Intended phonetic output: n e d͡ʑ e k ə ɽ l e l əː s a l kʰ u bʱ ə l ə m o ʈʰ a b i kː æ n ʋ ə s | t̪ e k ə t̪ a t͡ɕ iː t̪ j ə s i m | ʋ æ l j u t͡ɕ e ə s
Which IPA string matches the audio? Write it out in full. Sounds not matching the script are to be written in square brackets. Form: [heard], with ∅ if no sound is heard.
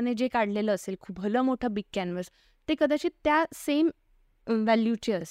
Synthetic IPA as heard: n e d͡ʑ e k [a] ɽ l e l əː s [e] l kʰ u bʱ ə l ə m o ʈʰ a b i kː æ n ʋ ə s | t̪ e k ə [d̪] a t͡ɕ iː t̪ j [a] s [e] m | ʋ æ l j u t͡ɕ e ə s